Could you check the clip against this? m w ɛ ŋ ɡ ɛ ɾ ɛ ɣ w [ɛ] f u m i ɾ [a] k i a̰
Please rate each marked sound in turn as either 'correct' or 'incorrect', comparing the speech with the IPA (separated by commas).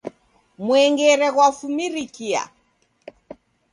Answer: incorrect, incorrect